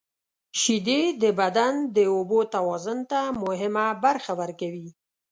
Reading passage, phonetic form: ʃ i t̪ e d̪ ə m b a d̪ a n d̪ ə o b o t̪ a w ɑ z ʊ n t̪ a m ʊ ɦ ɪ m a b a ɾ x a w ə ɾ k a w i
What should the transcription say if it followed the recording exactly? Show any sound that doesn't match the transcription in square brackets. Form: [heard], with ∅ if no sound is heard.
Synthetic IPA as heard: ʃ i [d̪] e d̪ ə [∅] b a d̪ a n d̪ ə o b o t̪ a w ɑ z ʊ n t̪ a m ʊ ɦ ɪ m a b a ɾ x a w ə ɾ k a w i